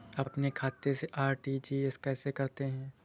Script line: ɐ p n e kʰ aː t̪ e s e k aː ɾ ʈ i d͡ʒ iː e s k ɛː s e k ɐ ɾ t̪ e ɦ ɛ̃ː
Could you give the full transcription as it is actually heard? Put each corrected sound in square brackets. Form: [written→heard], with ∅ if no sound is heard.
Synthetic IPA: ɐ p n e kʰ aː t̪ e s e [k→ʔ] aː ɾ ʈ i d͡ʒ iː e s k ɛː s e k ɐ ɾ t̪ e ɦ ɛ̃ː